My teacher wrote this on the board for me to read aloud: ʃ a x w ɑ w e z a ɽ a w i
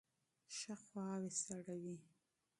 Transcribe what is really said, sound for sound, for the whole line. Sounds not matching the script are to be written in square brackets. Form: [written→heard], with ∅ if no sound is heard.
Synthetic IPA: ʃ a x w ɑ w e [z→s] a ɽ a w i